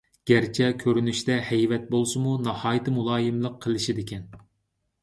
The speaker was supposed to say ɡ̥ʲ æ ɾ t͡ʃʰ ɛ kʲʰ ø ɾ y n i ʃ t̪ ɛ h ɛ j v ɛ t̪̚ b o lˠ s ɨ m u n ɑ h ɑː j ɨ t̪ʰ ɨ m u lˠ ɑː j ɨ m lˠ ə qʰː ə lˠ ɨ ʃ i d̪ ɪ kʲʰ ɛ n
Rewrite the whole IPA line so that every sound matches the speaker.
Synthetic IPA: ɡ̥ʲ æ ɾ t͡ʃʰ ɛ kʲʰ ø ɾ y n y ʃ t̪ ɛ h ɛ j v ɛ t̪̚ b o lˠ s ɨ m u n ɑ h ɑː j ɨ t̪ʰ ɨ m u lˠ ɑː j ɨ m lˠ ə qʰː ə lˠ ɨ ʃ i d̪ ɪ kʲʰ ɛ n